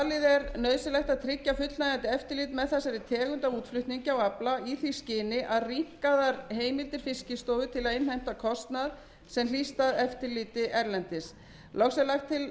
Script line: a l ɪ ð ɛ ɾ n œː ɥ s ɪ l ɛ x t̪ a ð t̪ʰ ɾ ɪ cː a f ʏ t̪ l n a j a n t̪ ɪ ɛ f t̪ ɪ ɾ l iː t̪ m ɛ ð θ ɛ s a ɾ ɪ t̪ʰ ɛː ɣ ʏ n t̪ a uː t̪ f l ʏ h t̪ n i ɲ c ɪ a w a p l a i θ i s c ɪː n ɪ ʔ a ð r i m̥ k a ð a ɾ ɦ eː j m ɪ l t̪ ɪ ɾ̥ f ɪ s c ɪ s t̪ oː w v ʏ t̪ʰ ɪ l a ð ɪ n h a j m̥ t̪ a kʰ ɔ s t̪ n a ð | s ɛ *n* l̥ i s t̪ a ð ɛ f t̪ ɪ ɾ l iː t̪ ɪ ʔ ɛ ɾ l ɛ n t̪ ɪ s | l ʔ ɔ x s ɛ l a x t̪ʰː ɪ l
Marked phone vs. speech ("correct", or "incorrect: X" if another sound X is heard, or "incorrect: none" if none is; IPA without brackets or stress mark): incorrect: m